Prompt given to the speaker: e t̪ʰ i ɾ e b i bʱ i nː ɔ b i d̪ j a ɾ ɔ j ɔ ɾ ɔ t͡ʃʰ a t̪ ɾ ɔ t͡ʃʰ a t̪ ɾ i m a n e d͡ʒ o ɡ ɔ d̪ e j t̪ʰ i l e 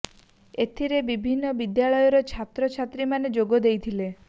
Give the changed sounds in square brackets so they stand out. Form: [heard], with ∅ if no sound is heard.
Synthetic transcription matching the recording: e t̪ʰ i ɾ e b i bʱ i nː ɔ b i d̪ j a [ɭ] ɔ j ɔ ɾ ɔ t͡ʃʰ a t̪ ɾ ɔ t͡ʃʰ a t̪ ɾ i m a n e d͡ʒ o ɡ ɔ d̪ e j t̪ʰ i l e